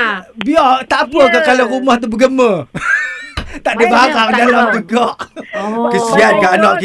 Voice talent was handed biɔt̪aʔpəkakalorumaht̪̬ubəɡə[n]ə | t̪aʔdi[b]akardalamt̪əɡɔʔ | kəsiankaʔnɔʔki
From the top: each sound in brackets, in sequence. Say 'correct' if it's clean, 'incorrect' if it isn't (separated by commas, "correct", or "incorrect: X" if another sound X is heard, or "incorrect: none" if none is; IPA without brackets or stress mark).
incorrect: m, correct